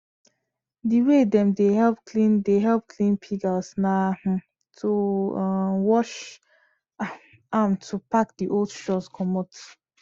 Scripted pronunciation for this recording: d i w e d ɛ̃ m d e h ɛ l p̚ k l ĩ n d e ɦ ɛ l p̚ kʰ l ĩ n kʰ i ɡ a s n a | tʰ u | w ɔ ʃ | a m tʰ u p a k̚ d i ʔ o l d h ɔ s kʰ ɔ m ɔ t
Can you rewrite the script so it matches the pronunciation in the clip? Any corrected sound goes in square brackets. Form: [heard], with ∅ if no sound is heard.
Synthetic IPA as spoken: d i w e d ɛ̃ m d e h ɛ l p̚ k l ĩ n d e ɦ ɛ l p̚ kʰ l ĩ n [pʰ] i ɡ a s n a | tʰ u | w ɔ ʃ | a m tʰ u p a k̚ d i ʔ o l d [ʃ] ɔ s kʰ ɔ m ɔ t